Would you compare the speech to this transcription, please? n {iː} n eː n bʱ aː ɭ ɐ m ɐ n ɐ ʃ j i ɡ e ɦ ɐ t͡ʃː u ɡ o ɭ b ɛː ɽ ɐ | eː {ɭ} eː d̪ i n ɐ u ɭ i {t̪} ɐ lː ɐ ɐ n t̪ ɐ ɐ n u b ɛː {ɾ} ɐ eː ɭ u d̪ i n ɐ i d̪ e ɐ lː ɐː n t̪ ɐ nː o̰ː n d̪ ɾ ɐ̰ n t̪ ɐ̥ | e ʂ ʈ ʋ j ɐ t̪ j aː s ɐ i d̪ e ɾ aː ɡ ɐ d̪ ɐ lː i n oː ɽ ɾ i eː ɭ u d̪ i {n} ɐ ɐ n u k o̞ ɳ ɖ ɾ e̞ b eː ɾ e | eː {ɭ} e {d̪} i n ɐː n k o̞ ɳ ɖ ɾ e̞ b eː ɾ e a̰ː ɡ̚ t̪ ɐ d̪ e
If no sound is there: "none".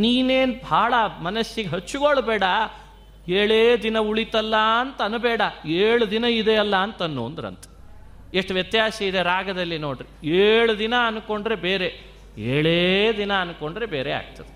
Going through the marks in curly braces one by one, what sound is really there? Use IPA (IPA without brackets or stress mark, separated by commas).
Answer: iː, ɭ, t̪, ɽ, n, ɭ, d̪